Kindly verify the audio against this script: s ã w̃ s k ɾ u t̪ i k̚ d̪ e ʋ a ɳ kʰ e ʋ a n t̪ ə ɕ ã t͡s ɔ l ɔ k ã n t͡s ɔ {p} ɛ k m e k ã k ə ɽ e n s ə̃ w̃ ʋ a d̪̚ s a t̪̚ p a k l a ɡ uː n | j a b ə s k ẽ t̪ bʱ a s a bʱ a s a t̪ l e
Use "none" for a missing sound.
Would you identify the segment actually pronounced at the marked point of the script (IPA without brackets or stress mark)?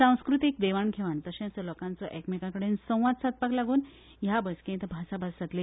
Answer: ʔ